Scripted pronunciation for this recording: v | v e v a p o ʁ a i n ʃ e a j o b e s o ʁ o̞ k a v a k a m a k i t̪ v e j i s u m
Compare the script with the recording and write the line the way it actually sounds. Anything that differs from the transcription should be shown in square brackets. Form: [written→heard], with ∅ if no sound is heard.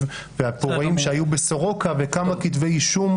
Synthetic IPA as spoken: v | v e [v→∅] a p o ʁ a i [n→m] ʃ e a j [o→u] b e s o ʁ o̞ k a v [a→e] k a m a k i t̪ v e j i [s→ʃ] u m